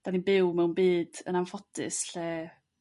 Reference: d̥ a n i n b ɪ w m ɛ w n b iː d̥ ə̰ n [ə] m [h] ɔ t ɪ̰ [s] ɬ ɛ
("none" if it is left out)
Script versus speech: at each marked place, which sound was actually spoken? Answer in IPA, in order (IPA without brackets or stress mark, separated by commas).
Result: a, f, s